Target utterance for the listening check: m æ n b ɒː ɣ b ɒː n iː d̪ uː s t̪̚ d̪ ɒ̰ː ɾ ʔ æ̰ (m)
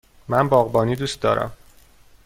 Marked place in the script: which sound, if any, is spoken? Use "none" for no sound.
m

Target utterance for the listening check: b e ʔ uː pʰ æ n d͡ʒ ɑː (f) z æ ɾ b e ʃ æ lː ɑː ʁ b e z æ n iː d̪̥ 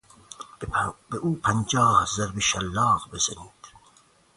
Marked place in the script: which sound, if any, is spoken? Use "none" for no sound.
h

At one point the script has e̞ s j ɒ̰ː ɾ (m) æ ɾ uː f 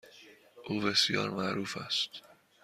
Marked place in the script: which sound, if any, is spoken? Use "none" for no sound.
m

